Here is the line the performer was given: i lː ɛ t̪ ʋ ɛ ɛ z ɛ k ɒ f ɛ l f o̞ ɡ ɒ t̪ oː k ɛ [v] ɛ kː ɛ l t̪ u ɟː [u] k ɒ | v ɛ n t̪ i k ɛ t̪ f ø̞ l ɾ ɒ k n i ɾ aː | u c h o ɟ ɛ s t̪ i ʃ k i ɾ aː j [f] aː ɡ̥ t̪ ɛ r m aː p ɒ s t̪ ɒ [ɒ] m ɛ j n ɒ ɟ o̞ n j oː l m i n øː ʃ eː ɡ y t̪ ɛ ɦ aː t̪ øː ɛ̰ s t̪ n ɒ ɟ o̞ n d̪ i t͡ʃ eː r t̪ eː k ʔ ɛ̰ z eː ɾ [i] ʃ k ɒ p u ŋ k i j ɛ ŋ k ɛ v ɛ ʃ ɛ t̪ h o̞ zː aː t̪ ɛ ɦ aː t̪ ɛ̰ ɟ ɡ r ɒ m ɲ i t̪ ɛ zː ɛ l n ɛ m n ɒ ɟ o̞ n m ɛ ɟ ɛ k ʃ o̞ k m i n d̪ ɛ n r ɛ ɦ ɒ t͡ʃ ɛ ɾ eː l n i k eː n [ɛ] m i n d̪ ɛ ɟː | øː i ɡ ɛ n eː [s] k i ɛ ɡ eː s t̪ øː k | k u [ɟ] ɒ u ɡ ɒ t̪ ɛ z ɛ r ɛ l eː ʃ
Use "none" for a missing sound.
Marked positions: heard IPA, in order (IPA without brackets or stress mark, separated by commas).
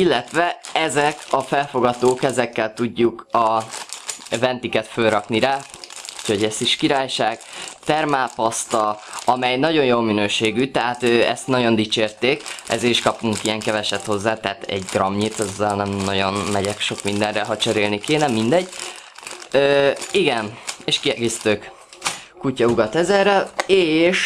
z, u, ʃ, ɒ, i, ɛ, ʃ, c